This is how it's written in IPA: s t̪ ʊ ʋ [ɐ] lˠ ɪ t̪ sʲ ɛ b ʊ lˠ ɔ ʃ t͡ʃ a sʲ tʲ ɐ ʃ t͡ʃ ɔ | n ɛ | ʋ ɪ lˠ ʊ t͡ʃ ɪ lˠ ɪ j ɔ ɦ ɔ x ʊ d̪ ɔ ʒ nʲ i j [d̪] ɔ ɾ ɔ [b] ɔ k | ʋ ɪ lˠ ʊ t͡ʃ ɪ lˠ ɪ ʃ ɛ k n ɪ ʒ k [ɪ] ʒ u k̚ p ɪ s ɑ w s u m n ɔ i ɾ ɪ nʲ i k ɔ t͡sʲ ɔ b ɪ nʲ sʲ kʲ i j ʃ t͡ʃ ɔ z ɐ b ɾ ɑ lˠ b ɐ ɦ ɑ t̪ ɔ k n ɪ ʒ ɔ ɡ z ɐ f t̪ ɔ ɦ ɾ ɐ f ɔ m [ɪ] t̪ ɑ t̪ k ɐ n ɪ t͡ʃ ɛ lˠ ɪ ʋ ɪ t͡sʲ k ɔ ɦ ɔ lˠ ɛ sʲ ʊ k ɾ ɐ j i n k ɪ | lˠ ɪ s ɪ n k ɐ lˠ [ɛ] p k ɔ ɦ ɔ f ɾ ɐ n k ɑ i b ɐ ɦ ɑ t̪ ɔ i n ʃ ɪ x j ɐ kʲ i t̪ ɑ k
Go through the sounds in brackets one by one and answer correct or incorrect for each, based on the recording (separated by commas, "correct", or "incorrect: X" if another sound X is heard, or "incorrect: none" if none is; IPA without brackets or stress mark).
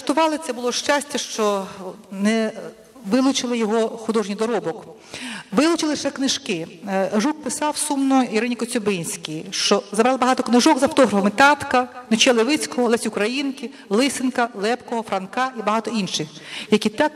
incorrect: ɑ, correct, correct, correct, correct, correct